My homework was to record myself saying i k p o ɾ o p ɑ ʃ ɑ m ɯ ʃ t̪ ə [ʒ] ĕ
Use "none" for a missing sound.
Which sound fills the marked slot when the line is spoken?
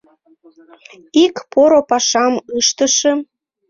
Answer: ʃ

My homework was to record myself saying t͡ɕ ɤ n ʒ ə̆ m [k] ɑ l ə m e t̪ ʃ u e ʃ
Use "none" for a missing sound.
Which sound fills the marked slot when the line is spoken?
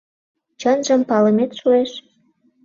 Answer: p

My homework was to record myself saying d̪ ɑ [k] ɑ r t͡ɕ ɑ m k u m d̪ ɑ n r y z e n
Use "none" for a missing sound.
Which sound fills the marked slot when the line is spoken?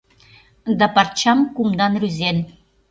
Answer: p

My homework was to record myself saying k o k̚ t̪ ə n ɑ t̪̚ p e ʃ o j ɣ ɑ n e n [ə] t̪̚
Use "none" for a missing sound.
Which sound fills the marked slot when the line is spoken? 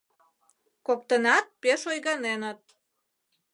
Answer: ə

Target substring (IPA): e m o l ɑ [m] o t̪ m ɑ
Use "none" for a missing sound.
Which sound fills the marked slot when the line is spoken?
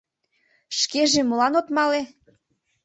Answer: n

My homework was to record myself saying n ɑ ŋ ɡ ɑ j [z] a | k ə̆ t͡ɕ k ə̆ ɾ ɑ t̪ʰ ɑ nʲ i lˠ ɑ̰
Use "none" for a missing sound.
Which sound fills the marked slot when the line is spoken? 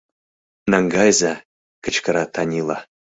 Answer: z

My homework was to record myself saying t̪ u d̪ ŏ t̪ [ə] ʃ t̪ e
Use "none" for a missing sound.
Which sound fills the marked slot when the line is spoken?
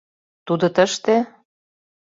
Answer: ə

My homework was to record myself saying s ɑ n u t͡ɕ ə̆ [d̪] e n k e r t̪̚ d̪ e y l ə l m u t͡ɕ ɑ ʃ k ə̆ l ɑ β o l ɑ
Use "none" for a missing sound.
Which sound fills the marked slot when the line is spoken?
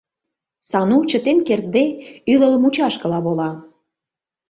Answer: t̪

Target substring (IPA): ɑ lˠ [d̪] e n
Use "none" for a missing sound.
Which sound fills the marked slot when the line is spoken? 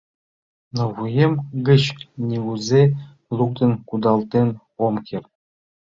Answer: t̪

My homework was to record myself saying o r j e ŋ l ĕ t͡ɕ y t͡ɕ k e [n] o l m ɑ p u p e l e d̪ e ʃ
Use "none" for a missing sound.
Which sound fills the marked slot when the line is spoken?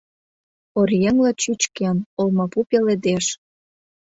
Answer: n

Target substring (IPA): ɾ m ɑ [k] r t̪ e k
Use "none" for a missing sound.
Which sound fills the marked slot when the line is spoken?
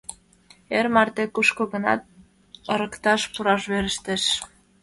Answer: none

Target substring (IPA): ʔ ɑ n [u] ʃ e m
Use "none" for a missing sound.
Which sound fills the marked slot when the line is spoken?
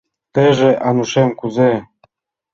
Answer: u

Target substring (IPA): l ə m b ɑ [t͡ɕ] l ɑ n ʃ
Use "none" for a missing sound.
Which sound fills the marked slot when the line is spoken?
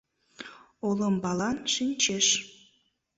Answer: none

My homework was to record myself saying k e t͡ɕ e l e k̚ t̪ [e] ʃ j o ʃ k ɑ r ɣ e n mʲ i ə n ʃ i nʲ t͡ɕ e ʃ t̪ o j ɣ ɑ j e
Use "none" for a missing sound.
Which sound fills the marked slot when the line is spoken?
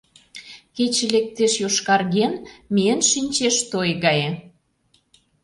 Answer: e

